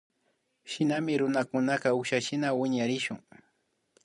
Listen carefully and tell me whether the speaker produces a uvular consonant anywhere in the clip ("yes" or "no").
no